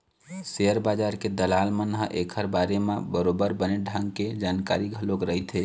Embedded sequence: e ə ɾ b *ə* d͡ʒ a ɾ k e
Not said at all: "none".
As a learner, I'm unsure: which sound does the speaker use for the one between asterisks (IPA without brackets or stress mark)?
a